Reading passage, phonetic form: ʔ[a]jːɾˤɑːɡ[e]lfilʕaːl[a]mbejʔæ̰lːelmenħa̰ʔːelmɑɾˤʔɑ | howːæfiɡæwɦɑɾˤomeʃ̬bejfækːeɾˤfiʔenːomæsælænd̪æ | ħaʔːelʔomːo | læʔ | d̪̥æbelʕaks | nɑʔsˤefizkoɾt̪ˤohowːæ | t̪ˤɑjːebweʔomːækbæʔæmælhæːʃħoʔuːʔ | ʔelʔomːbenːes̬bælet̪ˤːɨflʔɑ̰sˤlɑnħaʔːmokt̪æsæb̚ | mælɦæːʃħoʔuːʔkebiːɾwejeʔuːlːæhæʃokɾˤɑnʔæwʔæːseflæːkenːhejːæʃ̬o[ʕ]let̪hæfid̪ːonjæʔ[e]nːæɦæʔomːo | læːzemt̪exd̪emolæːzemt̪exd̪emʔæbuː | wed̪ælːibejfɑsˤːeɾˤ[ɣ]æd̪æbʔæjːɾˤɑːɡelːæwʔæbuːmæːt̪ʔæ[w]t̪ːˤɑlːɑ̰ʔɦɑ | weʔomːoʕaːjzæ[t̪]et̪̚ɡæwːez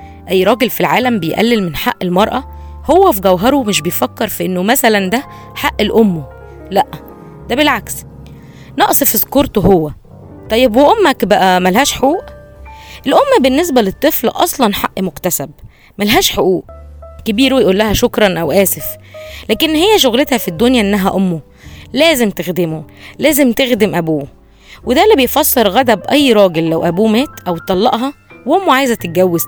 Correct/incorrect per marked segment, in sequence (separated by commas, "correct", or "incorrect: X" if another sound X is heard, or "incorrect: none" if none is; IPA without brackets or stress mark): incorrect: æ, correct, incorrect: æ, incorrect: ɣ, correct, correct, correct, correct